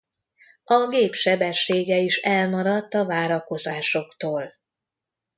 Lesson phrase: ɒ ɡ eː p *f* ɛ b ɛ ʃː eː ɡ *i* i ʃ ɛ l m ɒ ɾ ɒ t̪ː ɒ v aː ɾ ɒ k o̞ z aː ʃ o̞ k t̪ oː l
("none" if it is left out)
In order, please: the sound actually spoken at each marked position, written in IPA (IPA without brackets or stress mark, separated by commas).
ʃ, ɛ